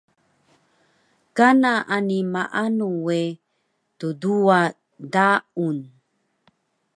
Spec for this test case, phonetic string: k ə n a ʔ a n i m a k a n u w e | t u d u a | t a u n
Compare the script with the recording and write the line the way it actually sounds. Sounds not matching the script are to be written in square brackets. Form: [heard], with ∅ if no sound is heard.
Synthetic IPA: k [a] n a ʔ a n i m a [ʔ] a n u w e | t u d u a | [d] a u n